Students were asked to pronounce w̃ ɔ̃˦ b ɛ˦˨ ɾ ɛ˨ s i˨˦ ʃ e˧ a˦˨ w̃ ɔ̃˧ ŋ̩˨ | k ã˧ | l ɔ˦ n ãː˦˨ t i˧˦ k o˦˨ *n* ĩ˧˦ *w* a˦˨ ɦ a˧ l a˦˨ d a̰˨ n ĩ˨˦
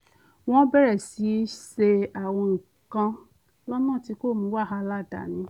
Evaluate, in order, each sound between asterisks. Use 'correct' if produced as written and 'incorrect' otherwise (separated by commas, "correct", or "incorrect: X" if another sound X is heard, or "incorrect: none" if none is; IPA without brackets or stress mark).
incorrect: m, correct